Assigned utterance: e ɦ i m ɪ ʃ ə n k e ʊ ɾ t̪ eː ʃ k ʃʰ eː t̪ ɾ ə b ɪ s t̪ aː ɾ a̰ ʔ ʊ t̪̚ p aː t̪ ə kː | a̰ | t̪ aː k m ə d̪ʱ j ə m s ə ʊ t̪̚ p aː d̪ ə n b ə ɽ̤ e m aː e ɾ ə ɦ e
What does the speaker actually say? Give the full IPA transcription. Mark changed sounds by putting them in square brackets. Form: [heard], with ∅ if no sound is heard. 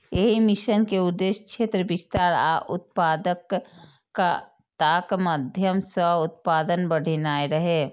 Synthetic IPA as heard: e ɦ i m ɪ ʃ ə n k e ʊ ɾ [d̪] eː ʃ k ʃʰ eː t̪ ɾ ə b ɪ s t̪ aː ɾ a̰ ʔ ʊ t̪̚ p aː [d̪] ə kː | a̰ | t̪ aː k m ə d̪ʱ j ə m s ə ʊ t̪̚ p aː d̪ ə n b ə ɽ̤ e [n] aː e ɾ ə ɦ e